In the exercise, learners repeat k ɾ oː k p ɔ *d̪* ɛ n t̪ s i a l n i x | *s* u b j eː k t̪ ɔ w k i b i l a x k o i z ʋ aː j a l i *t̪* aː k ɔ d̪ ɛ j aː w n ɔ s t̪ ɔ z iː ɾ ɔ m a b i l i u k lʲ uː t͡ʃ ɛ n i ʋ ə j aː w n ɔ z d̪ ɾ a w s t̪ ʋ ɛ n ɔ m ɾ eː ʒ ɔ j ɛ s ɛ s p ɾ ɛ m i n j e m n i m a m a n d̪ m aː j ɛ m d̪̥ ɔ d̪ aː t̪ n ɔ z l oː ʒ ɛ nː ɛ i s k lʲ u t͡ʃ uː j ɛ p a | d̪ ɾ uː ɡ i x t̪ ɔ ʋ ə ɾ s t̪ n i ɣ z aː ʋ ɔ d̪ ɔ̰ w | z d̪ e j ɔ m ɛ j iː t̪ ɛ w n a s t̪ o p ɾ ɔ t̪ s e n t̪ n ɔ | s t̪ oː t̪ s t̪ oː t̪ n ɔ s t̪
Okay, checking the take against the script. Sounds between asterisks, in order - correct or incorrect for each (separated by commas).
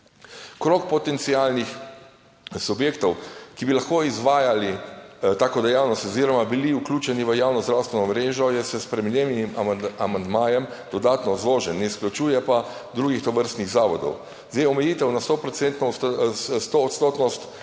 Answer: incorrect, correct, correct